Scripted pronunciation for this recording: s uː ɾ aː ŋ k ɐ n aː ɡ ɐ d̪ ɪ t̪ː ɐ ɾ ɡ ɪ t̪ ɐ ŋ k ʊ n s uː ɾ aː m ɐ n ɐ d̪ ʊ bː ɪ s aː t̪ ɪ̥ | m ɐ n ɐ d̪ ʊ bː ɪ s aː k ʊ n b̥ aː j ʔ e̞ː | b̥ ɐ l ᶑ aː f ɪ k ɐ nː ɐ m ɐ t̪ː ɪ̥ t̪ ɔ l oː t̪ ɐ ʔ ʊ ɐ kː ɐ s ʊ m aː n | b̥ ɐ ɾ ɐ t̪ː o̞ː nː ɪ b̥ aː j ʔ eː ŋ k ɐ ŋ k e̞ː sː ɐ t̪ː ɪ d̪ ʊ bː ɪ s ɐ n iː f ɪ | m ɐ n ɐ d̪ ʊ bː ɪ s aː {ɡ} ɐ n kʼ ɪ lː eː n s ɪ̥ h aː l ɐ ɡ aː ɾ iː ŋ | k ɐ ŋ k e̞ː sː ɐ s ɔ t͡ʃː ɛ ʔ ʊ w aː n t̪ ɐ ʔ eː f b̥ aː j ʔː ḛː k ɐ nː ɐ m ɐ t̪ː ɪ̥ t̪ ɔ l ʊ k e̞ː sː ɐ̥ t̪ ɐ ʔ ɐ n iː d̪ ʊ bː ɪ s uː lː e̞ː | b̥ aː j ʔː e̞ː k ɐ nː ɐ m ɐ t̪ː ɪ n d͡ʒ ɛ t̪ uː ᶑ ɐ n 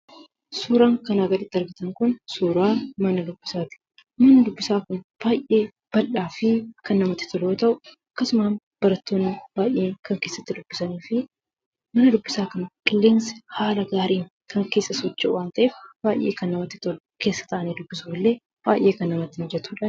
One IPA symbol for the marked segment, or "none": k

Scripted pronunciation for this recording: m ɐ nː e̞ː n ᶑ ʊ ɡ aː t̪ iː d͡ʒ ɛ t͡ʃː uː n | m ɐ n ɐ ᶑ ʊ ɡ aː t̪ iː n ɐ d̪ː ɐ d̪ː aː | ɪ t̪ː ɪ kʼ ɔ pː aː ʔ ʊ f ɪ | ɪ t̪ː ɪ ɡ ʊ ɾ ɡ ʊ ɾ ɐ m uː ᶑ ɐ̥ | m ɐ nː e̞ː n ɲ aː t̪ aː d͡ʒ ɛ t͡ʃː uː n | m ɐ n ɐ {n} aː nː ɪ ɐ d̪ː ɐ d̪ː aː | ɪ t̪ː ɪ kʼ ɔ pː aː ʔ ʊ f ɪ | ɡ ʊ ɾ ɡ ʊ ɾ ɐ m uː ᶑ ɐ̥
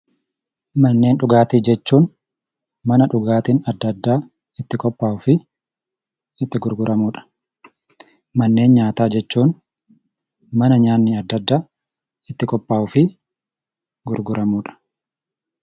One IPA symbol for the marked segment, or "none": ɲ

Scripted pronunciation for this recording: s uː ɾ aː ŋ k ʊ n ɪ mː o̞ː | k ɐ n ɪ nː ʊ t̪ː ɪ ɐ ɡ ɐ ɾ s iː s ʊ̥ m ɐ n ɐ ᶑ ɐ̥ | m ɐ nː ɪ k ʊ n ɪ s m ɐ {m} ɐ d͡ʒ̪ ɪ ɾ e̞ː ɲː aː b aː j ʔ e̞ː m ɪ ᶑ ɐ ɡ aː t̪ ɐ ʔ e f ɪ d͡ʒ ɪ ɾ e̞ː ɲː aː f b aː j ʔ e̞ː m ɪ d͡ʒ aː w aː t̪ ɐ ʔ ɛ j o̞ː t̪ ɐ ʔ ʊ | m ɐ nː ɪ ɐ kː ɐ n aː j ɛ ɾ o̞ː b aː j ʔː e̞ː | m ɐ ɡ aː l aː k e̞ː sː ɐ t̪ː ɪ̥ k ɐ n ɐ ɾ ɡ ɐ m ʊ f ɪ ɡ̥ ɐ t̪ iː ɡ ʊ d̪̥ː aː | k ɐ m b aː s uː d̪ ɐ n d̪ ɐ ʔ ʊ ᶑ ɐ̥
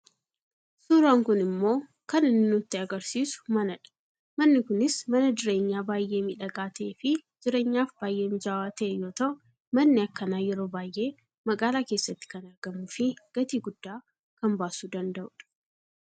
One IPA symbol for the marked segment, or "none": n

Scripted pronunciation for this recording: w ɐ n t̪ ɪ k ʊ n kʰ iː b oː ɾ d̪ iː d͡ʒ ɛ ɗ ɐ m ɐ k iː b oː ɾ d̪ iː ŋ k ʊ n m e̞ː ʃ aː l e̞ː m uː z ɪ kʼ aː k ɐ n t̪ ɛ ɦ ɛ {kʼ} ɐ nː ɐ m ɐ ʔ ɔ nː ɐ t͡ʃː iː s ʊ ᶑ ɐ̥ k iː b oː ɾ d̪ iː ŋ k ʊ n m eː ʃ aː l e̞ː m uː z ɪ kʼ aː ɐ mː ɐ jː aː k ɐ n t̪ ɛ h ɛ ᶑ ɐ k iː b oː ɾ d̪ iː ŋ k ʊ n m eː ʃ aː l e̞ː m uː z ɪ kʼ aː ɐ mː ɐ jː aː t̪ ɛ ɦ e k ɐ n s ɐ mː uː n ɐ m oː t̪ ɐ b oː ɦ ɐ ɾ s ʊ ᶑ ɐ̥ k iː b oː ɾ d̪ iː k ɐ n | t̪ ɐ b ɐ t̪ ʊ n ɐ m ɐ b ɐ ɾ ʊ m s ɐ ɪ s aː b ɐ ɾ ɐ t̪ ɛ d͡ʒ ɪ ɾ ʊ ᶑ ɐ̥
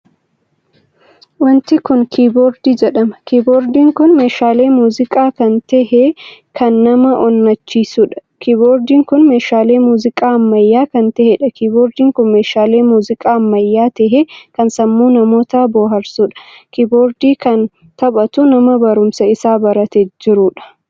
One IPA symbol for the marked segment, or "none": k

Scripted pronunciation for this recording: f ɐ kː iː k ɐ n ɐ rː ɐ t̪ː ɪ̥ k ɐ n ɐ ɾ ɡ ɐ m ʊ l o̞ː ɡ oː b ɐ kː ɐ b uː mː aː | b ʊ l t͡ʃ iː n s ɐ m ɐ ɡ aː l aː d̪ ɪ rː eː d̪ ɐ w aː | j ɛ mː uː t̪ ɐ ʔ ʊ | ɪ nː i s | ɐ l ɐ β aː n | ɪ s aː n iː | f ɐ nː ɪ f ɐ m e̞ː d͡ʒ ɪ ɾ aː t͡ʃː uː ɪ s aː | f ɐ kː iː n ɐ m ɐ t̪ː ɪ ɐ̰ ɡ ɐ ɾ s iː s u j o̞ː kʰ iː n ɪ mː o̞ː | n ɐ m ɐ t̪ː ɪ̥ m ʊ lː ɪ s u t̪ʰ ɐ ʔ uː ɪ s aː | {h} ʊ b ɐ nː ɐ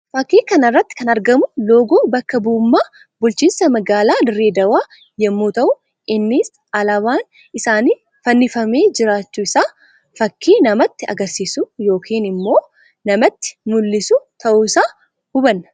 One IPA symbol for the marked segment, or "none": h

